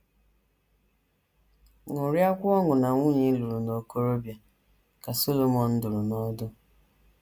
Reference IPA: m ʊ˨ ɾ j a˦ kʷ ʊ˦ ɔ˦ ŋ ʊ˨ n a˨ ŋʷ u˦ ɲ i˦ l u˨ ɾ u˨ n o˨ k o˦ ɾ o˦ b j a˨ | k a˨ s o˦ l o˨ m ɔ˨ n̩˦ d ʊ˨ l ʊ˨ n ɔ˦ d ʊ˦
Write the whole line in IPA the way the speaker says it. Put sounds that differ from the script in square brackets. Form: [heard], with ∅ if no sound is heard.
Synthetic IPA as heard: [ŋ] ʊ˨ ɾ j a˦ kʷ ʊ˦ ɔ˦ ŋ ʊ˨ n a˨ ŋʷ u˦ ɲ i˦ l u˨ ɾ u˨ n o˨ k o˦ ɾ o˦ b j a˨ | k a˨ s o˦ l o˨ m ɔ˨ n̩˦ d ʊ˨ [ɾ] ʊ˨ n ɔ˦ d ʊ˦